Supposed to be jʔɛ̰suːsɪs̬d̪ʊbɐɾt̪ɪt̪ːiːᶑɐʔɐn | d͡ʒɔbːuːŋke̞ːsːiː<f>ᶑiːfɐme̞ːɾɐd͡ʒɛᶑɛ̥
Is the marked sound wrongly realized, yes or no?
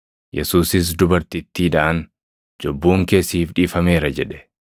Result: no